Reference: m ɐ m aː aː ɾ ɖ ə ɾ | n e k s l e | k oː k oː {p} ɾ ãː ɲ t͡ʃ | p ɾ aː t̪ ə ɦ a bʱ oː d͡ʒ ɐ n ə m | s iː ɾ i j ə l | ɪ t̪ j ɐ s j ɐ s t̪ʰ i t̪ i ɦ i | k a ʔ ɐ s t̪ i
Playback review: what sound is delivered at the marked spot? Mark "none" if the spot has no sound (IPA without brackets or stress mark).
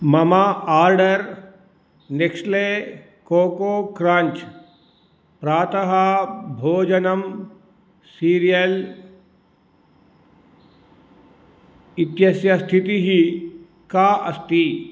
k